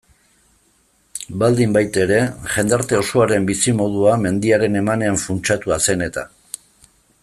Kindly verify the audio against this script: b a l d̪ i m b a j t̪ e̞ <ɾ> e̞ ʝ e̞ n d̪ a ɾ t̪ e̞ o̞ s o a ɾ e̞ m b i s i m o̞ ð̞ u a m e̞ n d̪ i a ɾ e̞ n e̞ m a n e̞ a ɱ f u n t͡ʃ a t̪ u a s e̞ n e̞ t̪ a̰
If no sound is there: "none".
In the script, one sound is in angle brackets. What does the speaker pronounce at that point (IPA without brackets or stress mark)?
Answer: ɾ